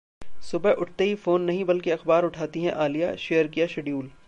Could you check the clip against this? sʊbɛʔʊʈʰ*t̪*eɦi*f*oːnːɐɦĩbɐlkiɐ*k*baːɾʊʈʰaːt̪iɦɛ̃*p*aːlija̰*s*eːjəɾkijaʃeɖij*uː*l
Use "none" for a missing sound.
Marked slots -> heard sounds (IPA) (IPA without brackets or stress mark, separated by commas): t̪, f, x, ʔ, ʃ, uː